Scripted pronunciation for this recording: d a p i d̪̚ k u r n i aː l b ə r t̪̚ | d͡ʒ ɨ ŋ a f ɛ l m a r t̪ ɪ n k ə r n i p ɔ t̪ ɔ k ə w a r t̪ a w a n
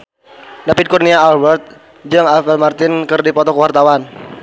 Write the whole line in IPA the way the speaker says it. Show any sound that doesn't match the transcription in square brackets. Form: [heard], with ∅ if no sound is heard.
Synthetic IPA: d a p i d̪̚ k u r n i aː l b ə r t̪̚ | d͡ʒ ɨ ŋ a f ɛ l m a r t̪ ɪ n k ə r [d] i p ɔ t̪ ɔ k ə w a r t̪ a w a n